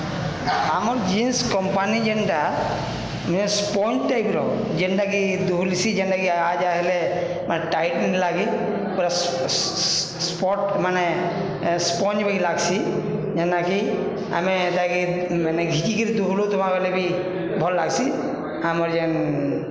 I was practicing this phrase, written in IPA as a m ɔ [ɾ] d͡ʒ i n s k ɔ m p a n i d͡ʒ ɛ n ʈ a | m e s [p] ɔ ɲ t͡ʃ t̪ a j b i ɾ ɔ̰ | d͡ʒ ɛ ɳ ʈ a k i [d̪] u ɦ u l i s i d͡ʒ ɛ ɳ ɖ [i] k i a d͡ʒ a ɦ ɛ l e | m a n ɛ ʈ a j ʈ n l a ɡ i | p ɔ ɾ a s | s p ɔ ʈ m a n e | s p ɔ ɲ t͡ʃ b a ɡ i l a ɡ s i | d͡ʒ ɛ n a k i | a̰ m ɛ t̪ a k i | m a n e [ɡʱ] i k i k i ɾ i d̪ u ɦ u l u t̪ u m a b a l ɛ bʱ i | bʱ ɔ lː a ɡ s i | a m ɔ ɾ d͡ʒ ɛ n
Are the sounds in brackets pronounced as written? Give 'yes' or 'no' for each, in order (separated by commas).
yes, yes, yes, no, yes